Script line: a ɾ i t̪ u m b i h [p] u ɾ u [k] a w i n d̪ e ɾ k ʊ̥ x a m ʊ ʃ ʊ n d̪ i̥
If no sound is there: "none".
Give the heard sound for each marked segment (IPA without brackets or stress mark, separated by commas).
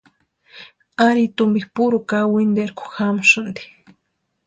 p, k